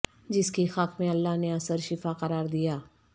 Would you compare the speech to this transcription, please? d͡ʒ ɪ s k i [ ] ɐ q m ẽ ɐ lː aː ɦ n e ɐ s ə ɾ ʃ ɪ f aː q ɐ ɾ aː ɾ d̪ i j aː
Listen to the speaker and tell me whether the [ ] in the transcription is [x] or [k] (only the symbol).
x